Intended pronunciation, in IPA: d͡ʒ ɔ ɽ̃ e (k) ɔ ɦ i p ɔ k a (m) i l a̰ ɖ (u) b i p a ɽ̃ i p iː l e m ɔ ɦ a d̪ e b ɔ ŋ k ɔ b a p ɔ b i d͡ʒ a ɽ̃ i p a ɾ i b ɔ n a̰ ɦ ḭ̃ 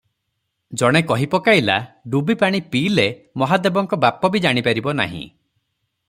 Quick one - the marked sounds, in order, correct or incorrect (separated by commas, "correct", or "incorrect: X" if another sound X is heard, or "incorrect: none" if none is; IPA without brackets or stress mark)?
correct, incorrect: none, correct